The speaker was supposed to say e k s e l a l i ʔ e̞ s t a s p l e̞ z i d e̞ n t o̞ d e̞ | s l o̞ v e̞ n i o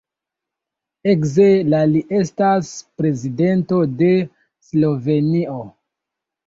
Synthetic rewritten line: e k z e l a l i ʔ e̞ s t a s p ɾ e̞ z i d e̞ n t o̞ d e̞ | s l o̞ v e̞ n i o